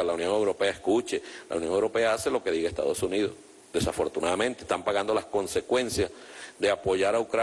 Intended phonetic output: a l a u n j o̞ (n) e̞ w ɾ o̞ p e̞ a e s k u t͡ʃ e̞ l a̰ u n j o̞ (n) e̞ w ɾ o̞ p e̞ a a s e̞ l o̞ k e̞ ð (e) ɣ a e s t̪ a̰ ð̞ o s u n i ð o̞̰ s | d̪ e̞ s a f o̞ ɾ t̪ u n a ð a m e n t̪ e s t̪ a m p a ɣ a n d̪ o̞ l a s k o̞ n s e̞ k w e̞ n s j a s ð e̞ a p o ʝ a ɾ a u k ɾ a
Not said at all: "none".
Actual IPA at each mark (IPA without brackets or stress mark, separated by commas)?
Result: ŋ, ŋ, i